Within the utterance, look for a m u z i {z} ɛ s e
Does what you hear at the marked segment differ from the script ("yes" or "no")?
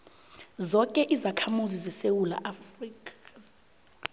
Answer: no